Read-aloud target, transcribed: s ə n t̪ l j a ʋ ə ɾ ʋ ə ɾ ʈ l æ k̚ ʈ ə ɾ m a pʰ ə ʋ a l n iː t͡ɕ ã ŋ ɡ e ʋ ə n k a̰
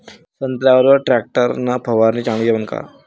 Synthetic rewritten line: s ə n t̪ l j a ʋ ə ɾ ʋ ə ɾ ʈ ɾ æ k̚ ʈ ə ɾ n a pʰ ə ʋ a ɾ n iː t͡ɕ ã ŋ ɡ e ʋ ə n k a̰